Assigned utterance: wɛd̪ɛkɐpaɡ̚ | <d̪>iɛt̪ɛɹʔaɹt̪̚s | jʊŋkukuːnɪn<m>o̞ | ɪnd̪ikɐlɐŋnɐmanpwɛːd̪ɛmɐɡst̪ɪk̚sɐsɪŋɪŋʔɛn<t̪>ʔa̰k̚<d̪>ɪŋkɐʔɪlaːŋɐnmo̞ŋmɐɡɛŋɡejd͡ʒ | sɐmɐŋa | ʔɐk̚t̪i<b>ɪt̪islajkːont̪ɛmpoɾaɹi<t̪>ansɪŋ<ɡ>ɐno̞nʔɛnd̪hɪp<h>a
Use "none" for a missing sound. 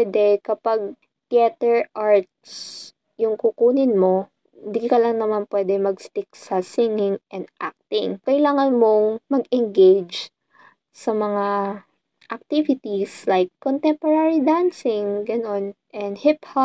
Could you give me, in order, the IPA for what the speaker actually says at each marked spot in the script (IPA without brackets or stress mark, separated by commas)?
t̪, m, d̪, t̪, v, d̪, ɡ, h